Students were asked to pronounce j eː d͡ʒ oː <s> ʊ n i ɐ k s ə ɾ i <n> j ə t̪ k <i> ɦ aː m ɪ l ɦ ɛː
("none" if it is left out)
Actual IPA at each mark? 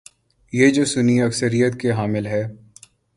s, none, e

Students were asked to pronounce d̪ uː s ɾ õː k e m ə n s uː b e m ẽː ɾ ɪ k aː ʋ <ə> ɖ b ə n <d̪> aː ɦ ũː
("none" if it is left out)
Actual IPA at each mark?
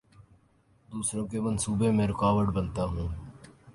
ə, t̪

